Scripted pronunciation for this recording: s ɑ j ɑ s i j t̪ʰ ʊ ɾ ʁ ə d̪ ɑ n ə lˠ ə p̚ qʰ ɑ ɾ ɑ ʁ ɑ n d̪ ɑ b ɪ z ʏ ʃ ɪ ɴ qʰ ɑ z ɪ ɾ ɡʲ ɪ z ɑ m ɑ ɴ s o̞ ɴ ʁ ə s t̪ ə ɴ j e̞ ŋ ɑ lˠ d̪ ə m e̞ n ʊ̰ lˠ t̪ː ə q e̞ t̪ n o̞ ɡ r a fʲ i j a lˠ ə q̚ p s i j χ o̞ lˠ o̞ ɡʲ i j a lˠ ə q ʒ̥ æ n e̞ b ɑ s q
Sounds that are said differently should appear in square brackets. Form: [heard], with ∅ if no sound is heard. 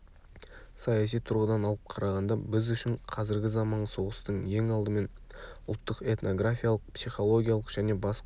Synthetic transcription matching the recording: s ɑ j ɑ s i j t̪ʰ ʊ ɾ ʁ ə d̪ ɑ n [ɑ] lˠ ə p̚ qʰ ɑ ɾ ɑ ʁ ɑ n d̪ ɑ b ɪ z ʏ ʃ ɪ ɴ qʰ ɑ z ɪ ɾ ɡʲ ɪ z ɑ m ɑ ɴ s o̞ [∅] ʁ ə s t̪ ə ɴ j e̞ ŋ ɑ lˠ d̪ ə m e̞ n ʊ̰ lˠ t̪ː ə q e̞ t̪ n o̞ ɡ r a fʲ i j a lˠ ə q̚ p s i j χ o̞ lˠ o̞ ɡʲ i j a lˠ ə q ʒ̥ æ n e̞ b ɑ s q